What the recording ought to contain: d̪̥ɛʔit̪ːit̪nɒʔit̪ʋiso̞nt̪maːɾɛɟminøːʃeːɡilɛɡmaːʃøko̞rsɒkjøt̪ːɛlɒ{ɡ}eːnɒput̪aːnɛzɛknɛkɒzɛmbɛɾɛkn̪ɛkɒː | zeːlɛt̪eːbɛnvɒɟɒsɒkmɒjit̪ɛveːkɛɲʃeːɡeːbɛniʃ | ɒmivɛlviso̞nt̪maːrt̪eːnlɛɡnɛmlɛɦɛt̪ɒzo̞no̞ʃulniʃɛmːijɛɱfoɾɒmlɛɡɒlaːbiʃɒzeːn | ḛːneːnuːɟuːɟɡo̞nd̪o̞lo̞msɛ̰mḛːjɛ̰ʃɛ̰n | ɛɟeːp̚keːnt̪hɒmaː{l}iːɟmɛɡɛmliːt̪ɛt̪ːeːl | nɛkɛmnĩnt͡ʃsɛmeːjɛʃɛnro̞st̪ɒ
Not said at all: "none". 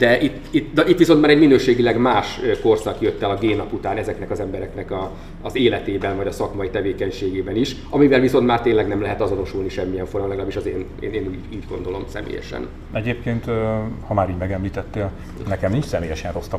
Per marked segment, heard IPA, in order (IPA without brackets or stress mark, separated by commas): ɡ, ɾ